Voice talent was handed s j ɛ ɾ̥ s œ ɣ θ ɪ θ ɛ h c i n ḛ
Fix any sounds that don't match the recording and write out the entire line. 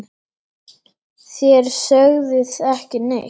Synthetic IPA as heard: θ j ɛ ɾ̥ s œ ɣ ð ɪ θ ɛ h c ɪ n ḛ